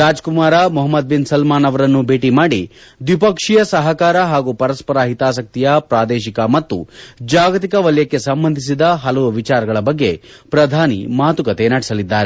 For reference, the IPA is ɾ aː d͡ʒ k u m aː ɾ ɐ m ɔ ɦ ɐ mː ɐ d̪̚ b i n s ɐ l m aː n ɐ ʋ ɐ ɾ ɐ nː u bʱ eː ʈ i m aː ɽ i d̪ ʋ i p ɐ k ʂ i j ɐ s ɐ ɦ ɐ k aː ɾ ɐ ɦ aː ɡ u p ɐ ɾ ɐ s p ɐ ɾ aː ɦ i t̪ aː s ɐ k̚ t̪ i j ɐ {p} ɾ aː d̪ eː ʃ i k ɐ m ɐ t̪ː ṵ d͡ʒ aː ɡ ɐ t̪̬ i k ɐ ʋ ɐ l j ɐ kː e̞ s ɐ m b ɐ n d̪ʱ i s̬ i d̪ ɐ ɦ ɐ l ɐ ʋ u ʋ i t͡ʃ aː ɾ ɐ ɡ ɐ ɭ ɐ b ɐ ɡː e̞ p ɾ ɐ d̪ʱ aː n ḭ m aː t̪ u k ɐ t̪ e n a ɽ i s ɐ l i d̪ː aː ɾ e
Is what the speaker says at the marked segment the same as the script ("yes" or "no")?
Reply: yes